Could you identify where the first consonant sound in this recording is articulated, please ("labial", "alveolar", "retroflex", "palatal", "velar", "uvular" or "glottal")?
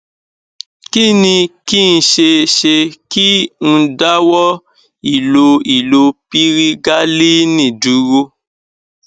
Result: velar